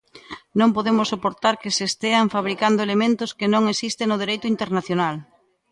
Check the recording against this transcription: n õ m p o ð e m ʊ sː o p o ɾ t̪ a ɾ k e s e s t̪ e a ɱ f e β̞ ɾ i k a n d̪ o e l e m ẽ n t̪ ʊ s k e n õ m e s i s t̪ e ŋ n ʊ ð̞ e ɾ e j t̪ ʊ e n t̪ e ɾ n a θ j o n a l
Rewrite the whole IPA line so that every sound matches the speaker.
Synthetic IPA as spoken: n õ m p o ð e m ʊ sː o p o ɾ t̪ a ɾ k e s e s t̪ e a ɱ f a β̞ ɾ i k a n d̪ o e l e m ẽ n t̪ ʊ s k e n õ ŋ e s i s t̪ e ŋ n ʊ ð̞ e ɾ e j t̪ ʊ i n t̪ e ɾ n a θ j o n a l